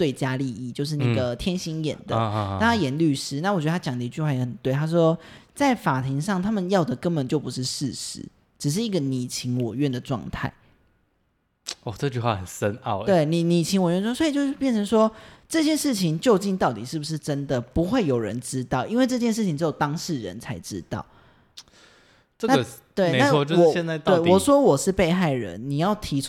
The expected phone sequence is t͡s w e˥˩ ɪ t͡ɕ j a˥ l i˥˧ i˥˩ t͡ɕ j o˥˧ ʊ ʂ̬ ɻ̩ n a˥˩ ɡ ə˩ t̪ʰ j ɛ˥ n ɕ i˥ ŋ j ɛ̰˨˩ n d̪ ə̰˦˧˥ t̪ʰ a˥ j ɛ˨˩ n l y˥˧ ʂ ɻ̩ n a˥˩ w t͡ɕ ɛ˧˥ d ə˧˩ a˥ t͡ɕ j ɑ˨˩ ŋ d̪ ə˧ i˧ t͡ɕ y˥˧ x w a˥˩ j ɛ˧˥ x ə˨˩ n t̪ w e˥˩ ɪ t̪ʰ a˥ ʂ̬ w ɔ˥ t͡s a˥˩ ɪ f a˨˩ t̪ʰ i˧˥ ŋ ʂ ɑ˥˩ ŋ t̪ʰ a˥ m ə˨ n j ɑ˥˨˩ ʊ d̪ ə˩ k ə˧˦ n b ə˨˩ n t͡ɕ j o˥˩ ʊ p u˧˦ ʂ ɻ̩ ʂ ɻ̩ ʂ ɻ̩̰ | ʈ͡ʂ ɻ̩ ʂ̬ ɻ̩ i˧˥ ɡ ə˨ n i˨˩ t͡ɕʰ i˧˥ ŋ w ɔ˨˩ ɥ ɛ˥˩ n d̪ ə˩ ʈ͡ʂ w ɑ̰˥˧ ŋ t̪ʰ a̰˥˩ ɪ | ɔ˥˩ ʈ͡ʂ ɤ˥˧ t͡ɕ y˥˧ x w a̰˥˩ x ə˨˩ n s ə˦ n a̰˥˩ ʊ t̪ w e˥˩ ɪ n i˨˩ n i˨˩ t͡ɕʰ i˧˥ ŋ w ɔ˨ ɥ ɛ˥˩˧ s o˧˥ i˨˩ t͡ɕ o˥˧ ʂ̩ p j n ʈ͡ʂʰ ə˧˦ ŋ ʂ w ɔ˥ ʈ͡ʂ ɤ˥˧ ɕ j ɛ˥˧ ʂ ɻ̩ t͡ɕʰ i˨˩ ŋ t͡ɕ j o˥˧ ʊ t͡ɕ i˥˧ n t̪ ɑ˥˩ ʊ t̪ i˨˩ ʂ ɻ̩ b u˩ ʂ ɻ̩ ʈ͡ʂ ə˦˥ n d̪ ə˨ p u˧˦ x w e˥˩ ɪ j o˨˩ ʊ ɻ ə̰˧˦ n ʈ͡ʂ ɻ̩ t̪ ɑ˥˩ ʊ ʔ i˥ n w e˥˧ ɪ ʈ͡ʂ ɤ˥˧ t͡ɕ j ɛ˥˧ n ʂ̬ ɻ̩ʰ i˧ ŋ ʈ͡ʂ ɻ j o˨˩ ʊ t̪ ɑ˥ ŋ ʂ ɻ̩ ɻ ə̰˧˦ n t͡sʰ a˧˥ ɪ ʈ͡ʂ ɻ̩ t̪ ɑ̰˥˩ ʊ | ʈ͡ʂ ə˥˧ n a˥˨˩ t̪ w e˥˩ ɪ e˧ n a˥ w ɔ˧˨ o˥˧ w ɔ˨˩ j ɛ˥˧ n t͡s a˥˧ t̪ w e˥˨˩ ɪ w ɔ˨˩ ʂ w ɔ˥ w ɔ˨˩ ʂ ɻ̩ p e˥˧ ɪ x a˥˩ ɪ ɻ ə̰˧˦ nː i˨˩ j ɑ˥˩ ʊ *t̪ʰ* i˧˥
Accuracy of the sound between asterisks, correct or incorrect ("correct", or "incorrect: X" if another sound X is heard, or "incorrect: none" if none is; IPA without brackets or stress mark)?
correct